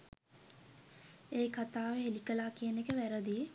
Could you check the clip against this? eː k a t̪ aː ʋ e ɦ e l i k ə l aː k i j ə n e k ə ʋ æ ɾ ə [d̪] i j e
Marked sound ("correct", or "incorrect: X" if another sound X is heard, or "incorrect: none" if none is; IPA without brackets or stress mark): correct